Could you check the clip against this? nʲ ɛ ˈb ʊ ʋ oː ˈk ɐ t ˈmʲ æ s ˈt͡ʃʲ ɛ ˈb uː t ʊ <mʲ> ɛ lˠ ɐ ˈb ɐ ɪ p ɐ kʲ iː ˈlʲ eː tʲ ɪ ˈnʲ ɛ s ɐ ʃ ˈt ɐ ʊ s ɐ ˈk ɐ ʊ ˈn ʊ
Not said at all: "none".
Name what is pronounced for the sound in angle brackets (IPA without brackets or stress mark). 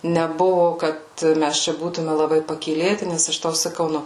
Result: mʲ